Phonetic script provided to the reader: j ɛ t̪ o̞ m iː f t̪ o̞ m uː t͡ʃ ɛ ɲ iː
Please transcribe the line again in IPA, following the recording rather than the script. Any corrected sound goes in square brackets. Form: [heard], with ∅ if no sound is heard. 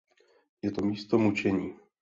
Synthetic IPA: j ɛ t̪ o̞ m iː [s] t̪ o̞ m [u] t͡ʃ ɛ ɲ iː